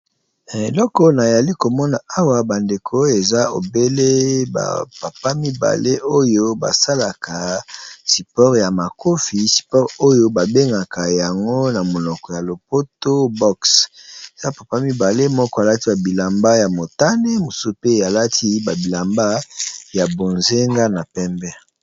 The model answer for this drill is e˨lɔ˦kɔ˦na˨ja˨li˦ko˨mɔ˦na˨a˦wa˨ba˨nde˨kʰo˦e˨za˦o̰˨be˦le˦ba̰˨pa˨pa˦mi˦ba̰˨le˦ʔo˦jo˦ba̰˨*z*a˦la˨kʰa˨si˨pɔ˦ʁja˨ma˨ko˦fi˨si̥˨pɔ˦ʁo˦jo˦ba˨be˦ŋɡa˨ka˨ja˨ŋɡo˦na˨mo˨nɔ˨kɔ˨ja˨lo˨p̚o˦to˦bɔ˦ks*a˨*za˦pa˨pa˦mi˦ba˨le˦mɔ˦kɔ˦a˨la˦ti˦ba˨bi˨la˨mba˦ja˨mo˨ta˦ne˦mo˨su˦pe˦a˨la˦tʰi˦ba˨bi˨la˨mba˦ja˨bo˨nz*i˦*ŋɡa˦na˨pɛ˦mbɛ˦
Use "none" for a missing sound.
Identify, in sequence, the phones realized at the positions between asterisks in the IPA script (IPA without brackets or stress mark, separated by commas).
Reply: s, e˨, e˦